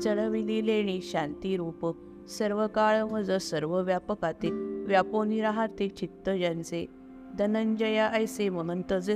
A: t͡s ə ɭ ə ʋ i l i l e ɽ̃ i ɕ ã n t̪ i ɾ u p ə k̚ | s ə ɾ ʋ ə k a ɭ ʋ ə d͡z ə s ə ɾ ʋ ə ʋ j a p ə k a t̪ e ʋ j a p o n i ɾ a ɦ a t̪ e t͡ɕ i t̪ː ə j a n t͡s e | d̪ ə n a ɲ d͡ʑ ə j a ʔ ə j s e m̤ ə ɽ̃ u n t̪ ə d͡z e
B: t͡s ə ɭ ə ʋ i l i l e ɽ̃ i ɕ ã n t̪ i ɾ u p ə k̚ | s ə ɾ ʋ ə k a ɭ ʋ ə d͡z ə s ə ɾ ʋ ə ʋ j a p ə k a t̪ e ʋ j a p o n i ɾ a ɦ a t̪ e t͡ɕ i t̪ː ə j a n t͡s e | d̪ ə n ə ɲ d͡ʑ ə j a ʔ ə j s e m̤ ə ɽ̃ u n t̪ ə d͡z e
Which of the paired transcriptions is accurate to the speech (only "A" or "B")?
B